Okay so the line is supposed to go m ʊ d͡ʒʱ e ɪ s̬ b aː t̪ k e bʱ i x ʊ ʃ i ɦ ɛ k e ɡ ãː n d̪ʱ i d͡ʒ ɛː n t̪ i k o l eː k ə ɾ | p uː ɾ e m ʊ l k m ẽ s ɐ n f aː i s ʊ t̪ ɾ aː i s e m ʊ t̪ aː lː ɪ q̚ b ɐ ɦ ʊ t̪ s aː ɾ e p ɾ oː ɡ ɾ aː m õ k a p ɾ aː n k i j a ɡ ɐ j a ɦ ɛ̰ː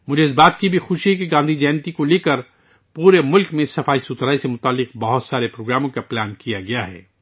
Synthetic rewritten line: m ʊ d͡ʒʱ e ɪ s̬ b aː t̪ k i bʱ i x ʊ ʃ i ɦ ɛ k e ɡ ãː n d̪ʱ i d͡ʒ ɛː n t̪ i k o l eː k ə ɾ | p uː ɾ e m ʊ l k m ẽ s ɐ f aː i s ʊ t̪ ɾ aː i s e m ʊ t̪ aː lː ɪ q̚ b ɐ ɦ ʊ t̪ s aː ɾ e p ɾ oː ɡ ɾ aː m õ k a p l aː n k i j a ɡ ɐ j a ɦ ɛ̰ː